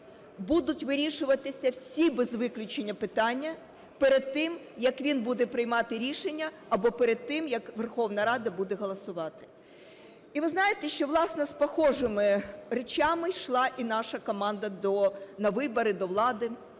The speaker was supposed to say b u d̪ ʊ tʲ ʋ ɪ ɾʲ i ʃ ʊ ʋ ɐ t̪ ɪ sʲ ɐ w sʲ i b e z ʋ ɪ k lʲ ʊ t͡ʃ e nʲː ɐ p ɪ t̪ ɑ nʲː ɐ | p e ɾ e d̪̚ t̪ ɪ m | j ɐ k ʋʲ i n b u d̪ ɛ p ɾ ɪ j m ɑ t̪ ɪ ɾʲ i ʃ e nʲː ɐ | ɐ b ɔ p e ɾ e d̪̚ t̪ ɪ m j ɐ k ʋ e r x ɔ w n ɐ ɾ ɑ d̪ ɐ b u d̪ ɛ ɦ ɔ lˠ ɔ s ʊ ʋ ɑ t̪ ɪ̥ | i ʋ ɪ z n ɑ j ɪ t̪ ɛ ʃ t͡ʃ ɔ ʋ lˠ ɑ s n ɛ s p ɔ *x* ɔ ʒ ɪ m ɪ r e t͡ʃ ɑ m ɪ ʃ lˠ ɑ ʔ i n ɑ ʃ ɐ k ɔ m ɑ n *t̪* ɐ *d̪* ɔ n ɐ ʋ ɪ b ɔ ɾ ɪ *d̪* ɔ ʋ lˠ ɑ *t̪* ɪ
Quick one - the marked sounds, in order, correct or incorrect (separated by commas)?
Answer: correct, incorrect, correct, correct, incorrect